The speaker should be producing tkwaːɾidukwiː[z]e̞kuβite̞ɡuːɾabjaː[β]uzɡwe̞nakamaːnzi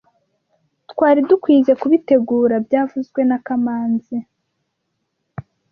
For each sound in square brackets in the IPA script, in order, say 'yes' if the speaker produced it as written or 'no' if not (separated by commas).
yes, no